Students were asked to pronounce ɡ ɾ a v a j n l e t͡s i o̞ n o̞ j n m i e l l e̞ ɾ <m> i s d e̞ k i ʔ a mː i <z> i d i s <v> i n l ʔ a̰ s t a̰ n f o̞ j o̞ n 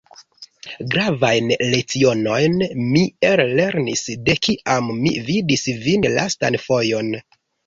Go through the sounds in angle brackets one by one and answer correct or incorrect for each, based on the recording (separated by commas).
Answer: incorrect, incorrect, correct